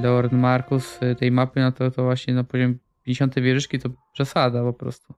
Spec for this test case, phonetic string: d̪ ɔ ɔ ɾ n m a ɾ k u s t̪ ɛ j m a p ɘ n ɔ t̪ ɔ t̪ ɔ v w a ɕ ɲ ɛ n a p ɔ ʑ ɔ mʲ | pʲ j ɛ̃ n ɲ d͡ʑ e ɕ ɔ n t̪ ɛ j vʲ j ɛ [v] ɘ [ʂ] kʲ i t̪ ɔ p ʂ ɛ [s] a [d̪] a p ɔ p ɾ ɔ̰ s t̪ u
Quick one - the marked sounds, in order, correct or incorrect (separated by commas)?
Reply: incorrect, correct, correct, correct